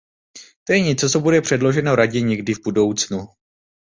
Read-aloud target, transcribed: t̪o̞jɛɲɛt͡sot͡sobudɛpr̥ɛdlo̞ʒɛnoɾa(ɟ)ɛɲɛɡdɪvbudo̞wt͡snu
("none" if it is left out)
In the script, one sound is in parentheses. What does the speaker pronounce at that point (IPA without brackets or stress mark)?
ɟ